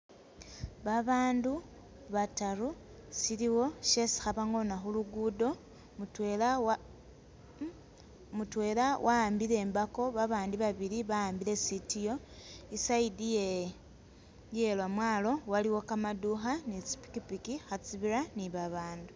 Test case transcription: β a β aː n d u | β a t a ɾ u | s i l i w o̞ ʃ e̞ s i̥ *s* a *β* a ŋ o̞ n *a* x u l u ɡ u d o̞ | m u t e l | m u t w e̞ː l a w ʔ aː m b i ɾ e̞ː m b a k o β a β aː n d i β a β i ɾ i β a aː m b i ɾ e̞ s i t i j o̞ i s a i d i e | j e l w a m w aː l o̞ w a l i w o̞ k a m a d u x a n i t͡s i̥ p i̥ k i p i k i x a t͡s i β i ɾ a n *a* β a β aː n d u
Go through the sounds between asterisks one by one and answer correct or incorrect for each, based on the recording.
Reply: incorrect: x, correct, correct, incorrect: i

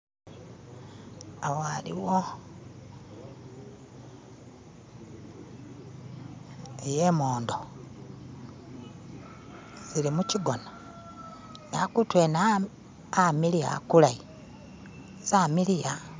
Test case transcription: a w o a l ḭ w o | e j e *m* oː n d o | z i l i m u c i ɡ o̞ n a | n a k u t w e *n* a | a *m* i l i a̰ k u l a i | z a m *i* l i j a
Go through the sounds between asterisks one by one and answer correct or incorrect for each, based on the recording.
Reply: correct, correct, correct, correct

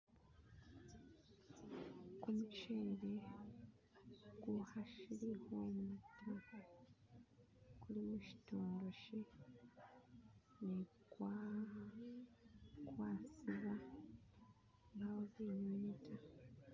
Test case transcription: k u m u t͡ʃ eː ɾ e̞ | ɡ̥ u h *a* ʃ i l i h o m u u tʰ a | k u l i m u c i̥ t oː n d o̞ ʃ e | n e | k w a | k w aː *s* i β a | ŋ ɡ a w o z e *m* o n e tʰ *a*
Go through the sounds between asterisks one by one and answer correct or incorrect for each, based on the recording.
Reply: correct, correct, incorrect: ɲ, correct

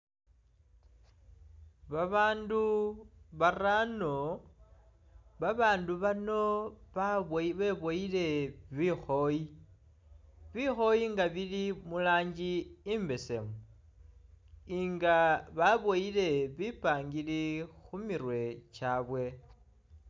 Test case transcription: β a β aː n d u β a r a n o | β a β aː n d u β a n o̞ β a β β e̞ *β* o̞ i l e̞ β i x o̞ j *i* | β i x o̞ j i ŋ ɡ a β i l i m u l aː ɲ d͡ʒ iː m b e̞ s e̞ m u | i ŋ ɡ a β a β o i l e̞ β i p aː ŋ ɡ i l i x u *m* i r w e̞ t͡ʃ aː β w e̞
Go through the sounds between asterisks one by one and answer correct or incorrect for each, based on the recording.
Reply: correct, correct, correct

